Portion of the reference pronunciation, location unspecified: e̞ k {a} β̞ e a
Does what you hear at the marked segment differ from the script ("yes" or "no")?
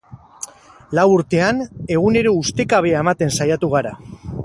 no